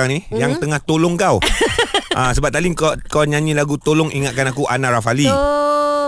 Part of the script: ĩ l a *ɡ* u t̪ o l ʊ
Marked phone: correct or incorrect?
correct